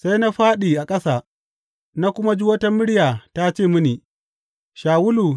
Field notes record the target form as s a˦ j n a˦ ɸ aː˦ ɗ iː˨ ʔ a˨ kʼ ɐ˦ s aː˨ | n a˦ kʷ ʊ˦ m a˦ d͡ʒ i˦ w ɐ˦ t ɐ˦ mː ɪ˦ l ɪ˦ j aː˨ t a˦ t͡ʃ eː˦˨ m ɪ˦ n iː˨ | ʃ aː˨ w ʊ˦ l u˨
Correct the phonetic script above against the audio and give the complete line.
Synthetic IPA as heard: s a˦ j n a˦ ɸ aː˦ ɗ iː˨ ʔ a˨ kʼ ɐ˦ s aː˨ | n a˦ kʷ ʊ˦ m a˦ d͡ʒ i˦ w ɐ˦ t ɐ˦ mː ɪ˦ ɽ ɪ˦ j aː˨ t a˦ t͡ʃ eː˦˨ m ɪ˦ n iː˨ | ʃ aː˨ w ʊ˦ l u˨